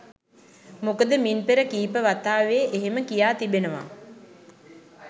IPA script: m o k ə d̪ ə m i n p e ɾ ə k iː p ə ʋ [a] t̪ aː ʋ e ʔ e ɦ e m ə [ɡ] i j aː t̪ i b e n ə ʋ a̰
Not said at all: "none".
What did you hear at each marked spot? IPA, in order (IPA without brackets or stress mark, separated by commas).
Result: a, k